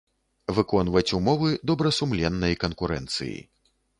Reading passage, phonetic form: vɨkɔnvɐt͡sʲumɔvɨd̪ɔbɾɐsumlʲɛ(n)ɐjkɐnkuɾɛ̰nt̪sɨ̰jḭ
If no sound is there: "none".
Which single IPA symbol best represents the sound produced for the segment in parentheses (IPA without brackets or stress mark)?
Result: nː